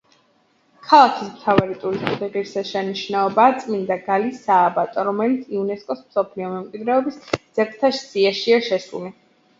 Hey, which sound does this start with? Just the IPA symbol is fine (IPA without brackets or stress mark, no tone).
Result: kʰ